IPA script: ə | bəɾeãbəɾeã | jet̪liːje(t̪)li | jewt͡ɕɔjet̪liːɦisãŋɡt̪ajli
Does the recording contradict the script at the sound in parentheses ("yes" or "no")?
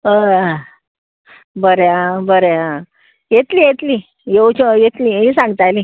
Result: no